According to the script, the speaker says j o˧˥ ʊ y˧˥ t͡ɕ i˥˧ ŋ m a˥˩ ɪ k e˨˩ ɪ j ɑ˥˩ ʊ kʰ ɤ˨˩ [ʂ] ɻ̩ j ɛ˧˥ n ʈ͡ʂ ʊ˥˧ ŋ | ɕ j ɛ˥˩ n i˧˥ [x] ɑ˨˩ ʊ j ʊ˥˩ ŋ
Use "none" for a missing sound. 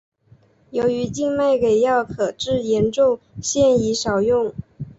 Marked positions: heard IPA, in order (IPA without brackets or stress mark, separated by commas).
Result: ʈ͡ʂ, ʂ